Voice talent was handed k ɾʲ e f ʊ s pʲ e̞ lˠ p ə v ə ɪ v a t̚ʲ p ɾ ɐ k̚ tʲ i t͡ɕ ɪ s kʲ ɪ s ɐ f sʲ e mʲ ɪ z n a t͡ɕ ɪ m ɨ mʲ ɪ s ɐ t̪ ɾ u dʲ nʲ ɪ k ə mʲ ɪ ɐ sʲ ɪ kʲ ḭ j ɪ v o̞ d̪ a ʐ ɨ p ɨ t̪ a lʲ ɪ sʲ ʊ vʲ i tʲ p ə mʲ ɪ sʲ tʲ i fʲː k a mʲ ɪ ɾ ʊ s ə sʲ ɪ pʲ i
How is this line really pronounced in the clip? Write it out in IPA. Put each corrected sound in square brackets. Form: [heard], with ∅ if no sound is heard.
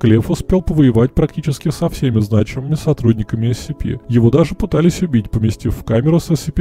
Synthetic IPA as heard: k [lʲ] e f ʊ s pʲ e̞ lˠ p ə v ə ɪ v a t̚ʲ p ɾ ɐ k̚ tʲ i t͡ɕ ɪ s kʲ ɪ s ɐ f sʲ e mʲ ɪ z n a t͡ɕ ɪ m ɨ mʲ ɪ s ɐ t̪ ɾ u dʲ nʲ ɪ k ə mʲ ɪ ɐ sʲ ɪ [pʲ] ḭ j ɪ v o̞ d̪ a ʐ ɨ p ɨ t̪ a lʲ ɪ sʲ ʊ [bʲ] i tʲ p ə mʲ ɪ sʲ tʲ i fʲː k a mʲ ɪ ɾ ʊ s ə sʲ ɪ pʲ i